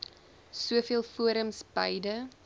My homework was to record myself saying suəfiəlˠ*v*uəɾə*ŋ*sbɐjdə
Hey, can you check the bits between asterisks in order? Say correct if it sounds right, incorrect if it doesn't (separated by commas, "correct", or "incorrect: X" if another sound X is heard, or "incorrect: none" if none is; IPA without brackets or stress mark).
incorrect: f, incorrect: m